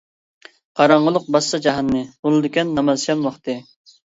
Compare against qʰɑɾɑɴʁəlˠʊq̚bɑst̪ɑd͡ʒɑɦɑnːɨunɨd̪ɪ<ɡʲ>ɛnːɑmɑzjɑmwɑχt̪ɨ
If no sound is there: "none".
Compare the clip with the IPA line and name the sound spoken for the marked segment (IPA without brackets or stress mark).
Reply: kʲ